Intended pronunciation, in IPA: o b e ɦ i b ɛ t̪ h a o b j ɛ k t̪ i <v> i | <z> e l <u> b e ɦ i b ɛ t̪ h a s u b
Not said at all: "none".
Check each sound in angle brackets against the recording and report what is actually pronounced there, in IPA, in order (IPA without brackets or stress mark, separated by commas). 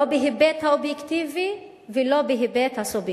v, v, o